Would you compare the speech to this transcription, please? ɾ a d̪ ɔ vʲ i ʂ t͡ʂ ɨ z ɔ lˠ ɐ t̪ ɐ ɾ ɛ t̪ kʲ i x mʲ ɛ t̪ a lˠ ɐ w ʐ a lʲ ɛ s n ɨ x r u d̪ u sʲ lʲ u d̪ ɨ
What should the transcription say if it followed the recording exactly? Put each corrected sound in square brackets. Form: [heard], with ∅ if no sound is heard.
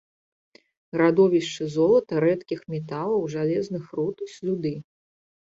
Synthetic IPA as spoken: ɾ a d̪ ɔ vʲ i ʂ t͡ʂ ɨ z ɔ lˠ ɐ t̪ ɐ ɾ ɛ t̪ kʲ i x mʲ ɛ t̪ a lˠ ɐ w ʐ a lʲ ɛ [z] n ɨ x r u [t̪] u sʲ lʲ u d̪ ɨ